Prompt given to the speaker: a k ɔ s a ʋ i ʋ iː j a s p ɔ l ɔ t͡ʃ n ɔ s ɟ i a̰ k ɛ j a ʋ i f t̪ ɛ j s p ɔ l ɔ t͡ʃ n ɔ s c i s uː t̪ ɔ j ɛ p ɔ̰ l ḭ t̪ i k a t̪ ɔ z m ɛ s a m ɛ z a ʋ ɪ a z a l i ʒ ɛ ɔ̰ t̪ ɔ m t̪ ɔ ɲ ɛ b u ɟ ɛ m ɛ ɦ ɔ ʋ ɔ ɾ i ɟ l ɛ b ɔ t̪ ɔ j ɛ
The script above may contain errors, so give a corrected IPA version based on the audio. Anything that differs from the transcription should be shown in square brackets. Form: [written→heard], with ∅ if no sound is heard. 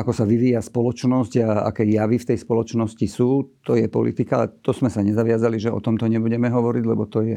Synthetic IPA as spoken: a k ɔ s a ʋ i ʋ iː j a s p ɔ l ɔ t͡ʃ n ɔ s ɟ [i→a] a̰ k ɛ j a ʋ i f t̪ ɛ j s p ɔ l ɔ t͡ʃ n ɔ s c i s uː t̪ ɔ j ɛ p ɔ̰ l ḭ t̪ i k a t̪ ɔ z m ɛ s a [m→ɲ] ɛ z a ʋ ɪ a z a l i ʒ ɛ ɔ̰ t̪ ɔ m t̪ ɔ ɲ ɛ b u ɟ ɛ m ɛ ɦ ɔ ʋ ɔ ɾ i ɟ l ɛ b ɔ t̪ ɔ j ɛ